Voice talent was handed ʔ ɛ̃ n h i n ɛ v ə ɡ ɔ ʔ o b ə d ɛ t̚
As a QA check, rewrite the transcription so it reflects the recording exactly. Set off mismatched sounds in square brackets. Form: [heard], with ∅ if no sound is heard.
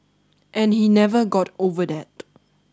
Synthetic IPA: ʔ ɛ̃ n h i n ɛ v ə ɡ ɔ [t] o [v] ə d ɛ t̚